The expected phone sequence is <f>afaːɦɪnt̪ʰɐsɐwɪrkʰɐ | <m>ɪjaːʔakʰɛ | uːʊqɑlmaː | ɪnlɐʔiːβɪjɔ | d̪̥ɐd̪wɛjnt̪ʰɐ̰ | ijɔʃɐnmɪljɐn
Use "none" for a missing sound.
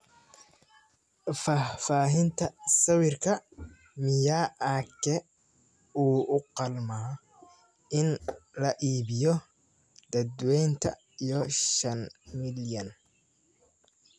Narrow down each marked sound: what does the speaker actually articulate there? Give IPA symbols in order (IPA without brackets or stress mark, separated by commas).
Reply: f, m